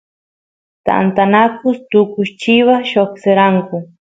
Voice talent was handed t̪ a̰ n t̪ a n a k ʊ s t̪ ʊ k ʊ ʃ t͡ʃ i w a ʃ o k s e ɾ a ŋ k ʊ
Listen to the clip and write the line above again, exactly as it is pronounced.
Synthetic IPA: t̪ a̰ n t̪ a n a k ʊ s t̪ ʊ k ʊ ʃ t͡ʃ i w a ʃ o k s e ɾ a ŋ k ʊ